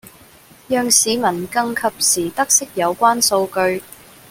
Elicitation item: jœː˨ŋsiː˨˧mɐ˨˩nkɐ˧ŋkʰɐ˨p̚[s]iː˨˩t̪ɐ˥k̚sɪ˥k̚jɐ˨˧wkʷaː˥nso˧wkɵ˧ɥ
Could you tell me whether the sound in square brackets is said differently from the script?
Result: no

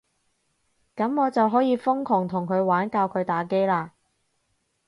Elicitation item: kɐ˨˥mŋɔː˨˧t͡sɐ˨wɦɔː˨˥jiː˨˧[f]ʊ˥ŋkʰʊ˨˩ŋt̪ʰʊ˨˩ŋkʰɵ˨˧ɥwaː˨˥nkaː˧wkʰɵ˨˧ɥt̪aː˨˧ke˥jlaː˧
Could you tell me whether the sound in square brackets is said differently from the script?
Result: no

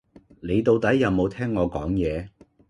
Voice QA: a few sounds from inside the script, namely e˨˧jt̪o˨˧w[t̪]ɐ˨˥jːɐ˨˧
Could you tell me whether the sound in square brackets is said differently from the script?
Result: no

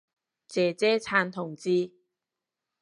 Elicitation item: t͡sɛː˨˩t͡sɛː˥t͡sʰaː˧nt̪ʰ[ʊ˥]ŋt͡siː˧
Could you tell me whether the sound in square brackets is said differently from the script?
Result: yes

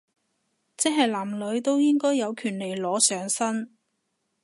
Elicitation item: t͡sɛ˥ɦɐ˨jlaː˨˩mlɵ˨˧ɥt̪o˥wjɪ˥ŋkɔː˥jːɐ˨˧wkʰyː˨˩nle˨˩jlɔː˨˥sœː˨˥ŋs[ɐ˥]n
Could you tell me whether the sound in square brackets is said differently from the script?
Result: no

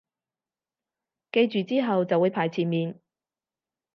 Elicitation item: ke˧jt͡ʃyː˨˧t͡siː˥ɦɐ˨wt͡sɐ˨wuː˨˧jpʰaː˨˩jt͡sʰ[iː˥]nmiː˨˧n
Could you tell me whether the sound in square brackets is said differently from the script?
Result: yes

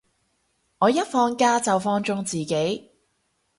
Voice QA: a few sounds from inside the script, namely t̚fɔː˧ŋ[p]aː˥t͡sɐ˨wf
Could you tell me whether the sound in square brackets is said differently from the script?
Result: yes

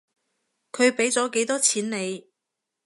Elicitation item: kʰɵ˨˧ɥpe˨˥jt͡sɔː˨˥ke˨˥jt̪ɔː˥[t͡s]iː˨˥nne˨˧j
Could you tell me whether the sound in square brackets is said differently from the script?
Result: yes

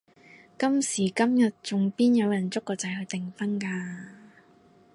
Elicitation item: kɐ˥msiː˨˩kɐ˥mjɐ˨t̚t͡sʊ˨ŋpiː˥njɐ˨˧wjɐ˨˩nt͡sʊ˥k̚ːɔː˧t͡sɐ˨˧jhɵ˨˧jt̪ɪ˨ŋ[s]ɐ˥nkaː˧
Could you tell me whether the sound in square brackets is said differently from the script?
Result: yes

